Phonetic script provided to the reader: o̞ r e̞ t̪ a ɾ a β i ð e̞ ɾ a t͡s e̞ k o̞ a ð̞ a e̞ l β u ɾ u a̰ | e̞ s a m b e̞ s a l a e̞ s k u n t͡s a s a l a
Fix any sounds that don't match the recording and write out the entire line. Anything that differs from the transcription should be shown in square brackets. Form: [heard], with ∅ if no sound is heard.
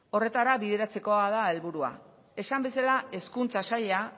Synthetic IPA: o̞ r e̞ t̪ a ɾ a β i ð e̞ ɾ a t͡s e̞ k o̞ a ð̞ a e̞ l β u ɾ u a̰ | e̞ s a m b e̞ s a l a e̞ s k u n t͡s a s a [ʎ] a